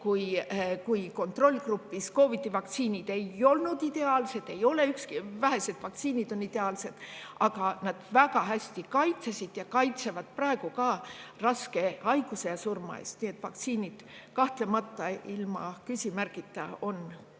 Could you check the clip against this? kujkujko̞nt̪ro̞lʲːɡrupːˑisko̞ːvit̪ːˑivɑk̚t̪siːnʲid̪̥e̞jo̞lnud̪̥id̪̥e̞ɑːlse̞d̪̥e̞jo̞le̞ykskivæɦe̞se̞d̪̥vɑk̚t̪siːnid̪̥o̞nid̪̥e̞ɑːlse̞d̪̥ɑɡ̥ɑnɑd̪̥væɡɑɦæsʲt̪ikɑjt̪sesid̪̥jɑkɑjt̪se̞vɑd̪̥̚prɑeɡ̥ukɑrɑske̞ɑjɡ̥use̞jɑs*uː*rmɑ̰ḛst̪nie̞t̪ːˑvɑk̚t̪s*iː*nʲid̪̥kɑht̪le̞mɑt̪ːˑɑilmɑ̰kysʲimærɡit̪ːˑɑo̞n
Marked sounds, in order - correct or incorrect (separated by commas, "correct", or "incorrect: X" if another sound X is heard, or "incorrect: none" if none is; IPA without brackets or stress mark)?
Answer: incorrect: u, correct